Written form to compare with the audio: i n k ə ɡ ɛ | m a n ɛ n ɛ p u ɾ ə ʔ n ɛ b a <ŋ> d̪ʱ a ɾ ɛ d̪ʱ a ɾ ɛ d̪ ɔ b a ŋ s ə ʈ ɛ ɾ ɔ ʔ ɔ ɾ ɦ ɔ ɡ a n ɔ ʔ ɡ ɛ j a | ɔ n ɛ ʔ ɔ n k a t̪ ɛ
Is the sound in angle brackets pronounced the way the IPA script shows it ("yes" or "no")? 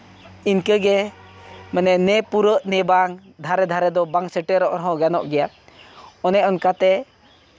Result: yes